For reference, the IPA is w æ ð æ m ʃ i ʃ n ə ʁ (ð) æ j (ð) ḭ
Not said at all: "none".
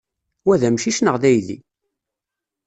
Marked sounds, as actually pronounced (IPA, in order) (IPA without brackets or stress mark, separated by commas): ð, ð